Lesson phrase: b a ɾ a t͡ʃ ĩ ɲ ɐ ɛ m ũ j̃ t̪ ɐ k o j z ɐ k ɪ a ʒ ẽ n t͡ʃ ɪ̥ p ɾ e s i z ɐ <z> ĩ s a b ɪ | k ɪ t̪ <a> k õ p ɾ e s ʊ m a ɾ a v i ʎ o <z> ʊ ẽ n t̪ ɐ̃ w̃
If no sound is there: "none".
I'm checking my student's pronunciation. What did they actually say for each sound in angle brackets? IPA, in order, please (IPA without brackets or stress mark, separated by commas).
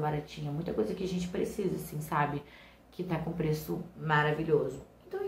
s, a, z